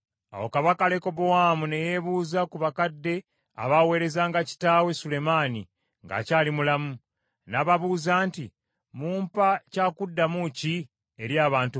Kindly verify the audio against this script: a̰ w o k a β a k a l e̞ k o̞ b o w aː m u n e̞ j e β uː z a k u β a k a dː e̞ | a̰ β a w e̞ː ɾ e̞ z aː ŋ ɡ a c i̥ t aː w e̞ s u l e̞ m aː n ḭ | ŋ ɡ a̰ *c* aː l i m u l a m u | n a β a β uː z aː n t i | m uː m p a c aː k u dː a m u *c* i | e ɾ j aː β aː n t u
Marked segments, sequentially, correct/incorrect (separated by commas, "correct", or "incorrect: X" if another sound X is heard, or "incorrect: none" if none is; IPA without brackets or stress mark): correct, correct